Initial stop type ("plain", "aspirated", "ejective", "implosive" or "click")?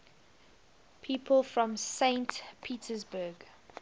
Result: aspirated